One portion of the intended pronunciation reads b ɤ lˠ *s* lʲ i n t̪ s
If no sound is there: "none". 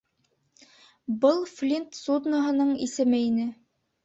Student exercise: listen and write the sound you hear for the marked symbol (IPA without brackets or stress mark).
f